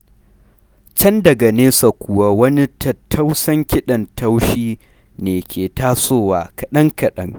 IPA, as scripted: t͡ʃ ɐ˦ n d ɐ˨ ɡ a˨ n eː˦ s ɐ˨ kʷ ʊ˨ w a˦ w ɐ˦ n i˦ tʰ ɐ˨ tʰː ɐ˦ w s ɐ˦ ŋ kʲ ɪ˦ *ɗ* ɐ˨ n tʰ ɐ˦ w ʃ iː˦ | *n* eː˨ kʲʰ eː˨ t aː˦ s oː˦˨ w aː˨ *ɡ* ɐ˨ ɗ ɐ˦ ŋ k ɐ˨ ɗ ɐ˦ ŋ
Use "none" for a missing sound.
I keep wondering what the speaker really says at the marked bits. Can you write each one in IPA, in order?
ɗ, n, k

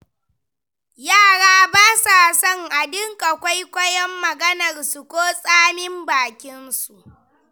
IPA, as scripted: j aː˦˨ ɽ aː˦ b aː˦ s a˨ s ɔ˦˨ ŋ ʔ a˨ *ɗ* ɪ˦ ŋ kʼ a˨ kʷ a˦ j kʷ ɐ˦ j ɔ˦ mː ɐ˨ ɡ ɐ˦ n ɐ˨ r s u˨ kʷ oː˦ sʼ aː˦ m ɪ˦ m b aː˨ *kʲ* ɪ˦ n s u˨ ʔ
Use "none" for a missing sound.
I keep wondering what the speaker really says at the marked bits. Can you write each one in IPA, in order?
d, kʲ

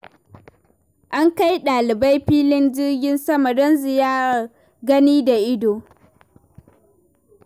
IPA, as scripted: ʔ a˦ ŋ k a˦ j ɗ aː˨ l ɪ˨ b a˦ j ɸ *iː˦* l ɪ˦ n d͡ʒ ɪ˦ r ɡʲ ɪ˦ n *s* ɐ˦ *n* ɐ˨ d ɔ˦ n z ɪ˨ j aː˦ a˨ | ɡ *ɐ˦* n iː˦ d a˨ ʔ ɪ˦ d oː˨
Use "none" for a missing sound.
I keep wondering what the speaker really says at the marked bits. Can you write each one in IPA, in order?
iː˦, s, m, ɐ˦

